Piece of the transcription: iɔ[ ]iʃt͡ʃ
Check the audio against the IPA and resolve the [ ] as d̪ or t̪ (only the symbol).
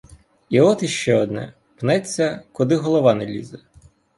t̪